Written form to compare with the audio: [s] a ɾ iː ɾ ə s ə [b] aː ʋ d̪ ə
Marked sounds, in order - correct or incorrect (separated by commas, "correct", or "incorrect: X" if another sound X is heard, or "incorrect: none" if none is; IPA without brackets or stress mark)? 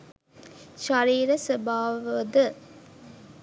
incorrect: ʃ, correct